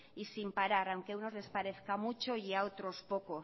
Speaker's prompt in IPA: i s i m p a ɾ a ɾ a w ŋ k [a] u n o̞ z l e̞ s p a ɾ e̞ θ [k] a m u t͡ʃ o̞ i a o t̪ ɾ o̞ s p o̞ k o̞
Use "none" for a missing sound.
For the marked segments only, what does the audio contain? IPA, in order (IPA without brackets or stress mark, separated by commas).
e, k